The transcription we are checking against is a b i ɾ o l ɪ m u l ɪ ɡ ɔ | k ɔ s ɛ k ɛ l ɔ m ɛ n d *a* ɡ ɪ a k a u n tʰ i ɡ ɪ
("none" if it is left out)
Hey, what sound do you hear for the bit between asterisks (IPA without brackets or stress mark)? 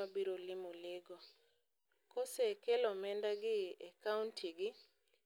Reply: a